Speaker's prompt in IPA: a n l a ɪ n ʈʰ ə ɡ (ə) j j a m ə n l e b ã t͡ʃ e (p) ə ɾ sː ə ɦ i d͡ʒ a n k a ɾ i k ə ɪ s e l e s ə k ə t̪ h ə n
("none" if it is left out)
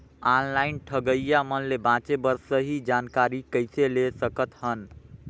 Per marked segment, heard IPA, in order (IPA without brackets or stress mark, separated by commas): ə, b